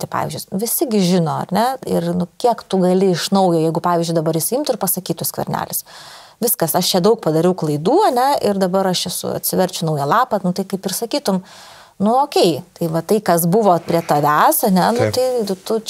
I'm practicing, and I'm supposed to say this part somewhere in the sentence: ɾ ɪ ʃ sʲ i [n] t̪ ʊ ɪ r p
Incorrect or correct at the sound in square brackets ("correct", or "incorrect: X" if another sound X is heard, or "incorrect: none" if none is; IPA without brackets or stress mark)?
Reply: incorrect: m